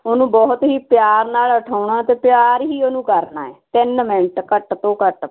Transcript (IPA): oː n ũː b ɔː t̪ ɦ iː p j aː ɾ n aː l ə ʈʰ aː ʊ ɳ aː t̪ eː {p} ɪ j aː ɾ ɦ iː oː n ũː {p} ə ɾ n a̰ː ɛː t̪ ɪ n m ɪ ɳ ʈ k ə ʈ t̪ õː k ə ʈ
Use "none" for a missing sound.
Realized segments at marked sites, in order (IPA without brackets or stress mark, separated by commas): p, k